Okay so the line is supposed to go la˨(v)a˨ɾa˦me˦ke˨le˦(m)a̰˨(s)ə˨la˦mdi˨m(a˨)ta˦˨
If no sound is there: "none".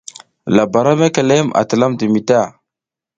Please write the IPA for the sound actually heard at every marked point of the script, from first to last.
b, m, t, i˨

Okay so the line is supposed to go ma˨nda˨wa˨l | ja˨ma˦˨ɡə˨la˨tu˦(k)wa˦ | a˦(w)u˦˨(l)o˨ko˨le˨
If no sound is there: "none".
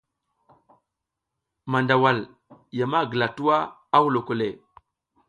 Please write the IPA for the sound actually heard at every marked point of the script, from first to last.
none, w, l

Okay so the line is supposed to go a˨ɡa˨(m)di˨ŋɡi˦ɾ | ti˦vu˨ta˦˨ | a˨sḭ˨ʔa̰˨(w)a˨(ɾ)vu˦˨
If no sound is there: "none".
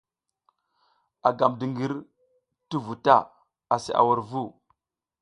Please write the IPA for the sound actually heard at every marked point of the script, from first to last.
m, w, ɾ

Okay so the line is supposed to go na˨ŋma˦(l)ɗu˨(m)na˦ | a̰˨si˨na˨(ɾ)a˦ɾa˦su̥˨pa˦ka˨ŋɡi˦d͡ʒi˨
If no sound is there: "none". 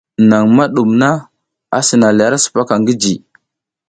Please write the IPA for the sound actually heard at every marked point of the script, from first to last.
none, m, l

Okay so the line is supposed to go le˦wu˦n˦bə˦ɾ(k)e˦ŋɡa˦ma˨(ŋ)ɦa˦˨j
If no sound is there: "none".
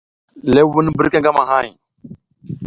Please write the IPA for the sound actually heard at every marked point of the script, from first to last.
k, none

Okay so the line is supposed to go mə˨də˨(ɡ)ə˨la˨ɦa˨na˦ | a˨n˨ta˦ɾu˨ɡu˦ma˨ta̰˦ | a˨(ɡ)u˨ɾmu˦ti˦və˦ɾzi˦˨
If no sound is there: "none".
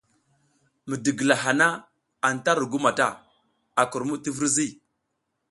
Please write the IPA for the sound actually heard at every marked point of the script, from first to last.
ɡ, k

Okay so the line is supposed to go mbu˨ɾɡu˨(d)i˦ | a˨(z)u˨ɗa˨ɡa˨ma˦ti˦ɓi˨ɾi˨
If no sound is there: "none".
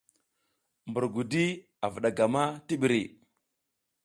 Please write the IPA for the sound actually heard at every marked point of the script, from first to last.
d, v

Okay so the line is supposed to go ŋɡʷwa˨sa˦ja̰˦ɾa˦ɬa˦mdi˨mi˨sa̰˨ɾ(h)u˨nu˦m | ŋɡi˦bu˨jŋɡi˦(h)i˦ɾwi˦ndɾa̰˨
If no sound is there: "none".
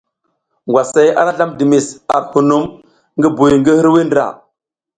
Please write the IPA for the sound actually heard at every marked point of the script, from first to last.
h, h

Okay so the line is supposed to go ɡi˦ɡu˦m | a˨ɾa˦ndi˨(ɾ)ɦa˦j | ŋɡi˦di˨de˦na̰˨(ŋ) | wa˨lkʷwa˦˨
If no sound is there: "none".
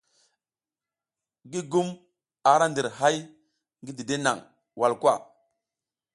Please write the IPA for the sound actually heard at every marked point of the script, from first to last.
ɾ, ŋ

